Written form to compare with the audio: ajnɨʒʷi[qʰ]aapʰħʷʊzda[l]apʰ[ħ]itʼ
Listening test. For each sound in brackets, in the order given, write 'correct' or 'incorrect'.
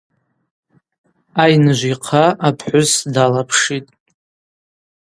correct, correct, incorrect: ʂ

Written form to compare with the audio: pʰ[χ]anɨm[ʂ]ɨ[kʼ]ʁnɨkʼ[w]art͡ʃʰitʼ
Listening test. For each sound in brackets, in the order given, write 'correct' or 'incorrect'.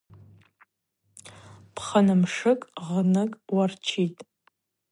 correct, correct, correct, correct

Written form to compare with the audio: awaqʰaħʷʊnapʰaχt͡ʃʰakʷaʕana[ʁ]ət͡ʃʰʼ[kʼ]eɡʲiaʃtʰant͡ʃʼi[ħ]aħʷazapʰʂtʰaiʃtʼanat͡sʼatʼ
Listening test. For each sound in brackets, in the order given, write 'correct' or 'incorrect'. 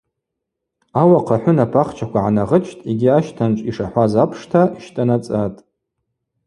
correct, incorrect: tʼ, incorrect: ʂ

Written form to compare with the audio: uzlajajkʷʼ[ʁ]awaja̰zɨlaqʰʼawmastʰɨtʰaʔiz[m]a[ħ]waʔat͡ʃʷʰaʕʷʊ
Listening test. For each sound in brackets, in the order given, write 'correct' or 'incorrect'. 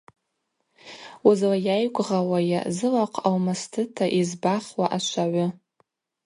correct, incorrect: b, incorrect: χ

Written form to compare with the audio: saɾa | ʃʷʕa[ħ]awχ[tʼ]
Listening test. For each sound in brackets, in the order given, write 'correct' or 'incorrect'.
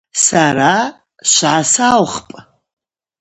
incorrect: s, incorrect: pʼ

